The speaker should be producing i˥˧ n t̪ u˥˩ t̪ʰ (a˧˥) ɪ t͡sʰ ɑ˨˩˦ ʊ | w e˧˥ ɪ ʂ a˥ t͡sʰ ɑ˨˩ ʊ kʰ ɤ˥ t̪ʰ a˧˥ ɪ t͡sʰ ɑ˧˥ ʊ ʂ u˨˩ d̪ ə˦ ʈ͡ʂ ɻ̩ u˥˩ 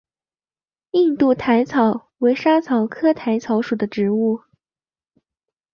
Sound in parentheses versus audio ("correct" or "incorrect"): correct